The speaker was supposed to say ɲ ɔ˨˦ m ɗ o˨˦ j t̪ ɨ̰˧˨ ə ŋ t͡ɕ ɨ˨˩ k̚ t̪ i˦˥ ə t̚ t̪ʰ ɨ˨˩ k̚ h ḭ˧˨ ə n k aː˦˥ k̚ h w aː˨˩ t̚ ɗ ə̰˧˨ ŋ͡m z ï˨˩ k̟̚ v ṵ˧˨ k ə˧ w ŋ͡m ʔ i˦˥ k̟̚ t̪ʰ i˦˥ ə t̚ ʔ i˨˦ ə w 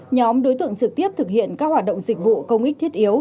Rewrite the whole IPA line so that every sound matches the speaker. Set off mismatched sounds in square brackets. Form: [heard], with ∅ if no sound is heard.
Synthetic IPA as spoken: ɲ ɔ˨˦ m ɗ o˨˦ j t̪ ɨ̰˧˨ ə ŋ t͡ɕ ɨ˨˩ k̚ t̪ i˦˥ ə [p̚] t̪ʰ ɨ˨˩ k̚ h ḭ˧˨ ə n k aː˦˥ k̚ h w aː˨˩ t̚ ɗ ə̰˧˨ ŋ͡m z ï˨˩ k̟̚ v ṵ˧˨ k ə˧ w ŋ͡m ʔ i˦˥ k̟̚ t̪ʰ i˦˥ ə t̚ ʔ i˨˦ ə w